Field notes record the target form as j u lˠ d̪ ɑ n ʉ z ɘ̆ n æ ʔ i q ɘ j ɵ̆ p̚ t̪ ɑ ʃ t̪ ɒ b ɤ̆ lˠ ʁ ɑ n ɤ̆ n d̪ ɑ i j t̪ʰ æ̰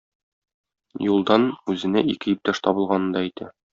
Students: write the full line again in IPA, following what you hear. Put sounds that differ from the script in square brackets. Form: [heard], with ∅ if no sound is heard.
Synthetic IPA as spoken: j u lˠ d̪ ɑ n ʉ z ɘ̆ n æ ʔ i [k] ɘ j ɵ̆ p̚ t̪ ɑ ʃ t̪ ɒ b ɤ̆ lˠ ʁ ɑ n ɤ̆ n d̪ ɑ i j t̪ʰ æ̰